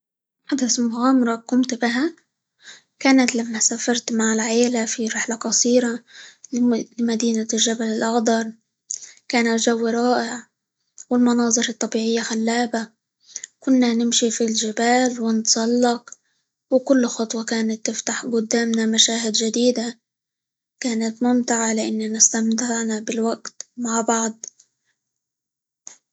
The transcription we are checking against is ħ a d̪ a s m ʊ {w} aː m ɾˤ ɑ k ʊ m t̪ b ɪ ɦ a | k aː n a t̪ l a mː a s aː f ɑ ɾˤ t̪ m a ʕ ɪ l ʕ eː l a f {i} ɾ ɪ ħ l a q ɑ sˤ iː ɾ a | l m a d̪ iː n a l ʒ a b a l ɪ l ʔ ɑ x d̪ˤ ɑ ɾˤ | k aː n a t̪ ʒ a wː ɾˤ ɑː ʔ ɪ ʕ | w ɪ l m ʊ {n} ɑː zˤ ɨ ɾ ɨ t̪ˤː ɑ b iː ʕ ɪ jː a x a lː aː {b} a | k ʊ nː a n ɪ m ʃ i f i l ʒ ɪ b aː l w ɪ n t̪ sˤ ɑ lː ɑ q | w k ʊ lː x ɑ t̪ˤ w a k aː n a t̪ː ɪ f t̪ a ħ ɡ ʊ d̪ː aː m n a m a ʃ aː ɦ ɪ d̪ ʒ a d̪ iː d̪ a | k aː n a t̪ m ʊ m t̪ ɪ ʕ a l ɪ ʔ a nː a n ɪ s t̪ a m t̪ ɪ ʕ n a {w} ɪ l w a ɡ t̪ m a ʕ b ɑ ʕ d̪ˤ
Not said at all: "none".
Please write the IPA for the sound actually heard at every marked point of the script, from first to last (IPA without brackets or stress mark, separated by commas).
ɣ, i, n, b, b